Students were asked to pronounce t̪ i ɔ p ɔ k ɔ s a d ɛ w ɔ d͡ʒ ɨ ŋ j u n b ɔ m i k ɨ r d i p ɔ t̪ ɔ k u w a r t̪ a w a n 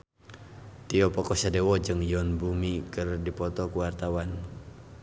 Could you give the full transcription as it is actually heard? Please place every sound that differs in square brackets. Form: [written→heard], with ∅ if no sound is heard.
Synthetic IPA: t̪ i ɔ p ɔ k ɔ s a d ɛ w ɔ d͡ʒ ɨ ŋ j [u→ɔ] n b [ɔ→u] m i k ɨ r d i p ɔ t̪ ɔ k u w a r t̪ a w a n